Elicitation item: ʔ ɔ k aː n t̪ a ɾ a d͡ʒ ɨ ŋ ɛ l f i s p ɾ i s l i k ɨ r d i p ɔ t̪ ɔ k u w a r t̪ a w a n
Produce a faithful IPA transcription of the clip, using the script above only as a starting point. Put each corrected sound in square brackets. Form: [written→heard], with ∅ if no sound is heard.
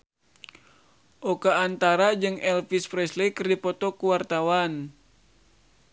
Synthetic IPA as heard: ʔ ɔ k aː n t̪ a ɾ a d͡ʒ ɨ ŋ ɛ l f i s p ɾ [i→ɛ] s l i k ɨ r d i p ɔ t̪ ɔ k u w a r t̪ a w a n

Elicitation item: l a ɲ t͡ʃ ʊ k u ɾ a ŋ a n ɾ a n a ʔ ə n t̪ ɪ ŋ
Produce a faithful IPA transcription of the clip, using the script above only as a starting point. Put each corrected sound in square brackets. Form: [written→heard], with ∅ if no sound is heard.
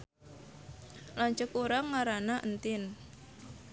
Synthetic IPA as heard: l a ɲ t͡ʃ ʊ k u ɾ a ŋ a [n→∅] ɾ a n a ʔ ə n t̪ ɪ [ŋ→n]

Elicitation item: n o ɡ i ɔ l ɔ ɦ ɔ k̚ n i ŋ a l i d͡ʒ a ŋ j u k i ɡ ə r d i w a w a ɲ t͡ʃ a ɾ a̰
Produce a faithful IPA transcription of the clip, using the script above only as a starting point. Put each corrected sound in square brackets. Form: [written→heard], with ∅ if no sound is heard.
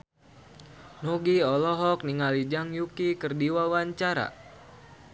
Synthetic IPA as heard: n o ɡ i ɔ l ɔ ɦ ɔ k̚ n i ŋ a l i d͡ʒ a ŋ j u k i [ɡ→k] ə r d i w a w a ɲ t͡ʃ a ɾ a̰

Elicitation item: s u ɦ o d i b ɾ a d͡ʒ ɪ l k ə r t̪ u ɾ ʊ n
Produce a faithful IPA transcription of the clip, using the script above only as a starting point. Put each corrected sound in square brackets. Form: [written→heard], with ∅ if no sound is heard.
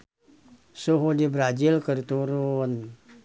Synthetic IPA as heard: s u ɦ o d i b ɾ a d͡ʒ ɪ l k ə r t̪ u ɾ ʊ n

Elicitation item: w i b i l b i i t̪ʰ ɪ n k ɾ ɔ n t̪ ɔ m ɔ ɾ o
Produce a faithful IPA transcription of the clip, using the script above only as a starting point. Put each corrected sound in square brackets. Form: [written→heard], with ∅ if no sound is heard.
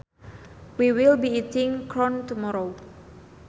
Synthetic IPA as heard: w i [b→w] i l b i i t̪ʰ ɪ [n→ŋ] k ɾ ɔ n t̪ [ɔ→u] m ɔ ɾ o

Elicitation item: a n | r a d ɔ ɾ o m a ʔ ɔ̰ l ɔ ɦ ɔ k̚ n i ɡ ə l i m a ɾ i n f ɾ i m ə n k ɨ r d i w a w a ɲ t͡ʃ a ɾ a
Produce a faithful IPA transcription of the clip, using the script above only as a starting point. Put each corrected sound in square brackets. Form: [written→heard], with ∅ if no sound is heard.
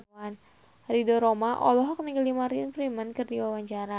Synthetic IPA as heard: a n | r [a→i] d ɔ ɾ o m a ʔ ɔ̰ l ɔ ɦ ɔ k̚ n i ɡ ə l i m a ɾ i n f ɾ i m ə n k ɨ r d i w a w a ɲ t͡ʃ a ɾ a

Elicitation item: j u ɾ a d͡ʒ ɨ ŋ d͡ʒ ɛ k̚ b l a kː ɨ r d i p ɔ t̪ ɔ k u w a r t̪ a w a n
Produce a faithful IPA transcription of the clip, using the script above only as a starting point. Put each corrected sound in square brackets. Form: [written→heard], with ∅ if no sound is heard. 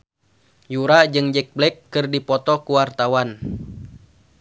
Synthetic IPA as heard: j u ɾ a d͡ʒ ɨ ŋ d͡ʒ ɛ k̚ b l [a→ɛ] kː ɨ r d i p ɔ t̪ ɔ k u w a r t̪ a w a n

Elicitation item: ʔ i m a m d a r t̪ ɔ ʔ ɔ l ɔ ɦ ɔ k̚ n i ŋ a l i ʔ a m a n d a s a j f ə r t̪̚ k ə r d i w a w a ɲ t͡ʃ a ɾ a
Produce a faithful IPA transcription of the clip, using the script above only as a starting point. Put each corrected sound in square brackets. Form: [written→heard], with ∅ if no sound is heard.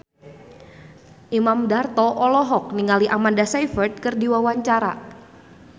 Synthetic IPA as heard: ʔ i m a m d a r t̪ ɔ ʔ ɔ l ɔ ɦ ɔ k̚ n i ŋ a l i ʔ a m a n d a s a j f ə r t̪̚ k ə r d i w a w a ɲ t͡ʃ a ɾ a

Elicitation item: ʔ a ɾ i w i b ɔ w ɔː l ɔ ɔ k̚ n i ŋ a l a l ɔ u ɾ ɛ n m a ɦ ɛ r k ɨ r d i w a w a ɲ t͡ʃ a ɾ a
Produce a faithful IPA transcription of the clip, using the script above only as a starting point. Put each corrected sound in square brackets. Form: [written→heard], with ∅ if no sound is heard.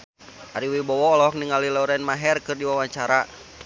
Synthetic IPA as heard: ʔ a ɾ i w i b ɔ w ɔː l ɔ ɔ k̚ n i ŋ a l [a→i] l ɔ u ɾ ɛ n m a ɦ ɛ r k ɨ r d i w a w a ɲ t͡ʃ a ɾ a

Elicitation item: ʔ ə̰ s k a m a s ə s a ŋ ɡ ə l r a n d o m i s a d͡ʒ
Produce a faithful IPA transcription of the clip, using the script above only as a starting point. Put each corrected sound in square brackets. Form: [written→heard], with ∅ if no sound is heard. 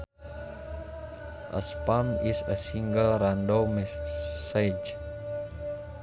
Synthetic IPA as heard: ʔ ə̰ s [k→p] a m [a→i] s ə s [a→i] ŋ ɡ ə l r a n d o m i s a d͡ʒ

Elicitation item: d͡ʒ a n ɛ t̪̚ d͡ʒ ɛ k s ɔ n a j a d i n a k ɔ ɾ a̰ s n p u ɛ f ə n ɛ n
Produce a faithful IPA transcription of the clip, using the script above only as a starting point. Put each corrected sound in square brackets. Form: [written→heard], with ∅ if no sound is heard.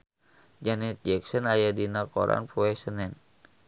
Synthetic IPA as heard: d͡ʒ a n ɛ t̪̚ d͡ʒ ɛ k s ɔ n a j a d i n a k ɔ ɾ a̰ [s→∅] n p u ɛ [f→s] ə n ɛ n

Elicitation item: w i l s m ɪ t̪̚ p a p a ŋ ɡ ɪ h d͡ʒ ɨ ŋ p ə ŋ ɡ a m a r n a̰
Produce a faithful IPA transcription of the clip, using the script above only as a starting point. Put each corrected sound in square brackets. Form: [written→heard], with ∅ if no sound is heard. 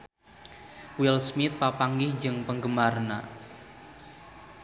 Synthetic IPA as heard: w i l s m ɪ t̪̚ p a p a ŋ ɡ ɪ h d͡ʒ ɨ ŋ p ə ŋ ɡ [a→ə] m a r n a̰

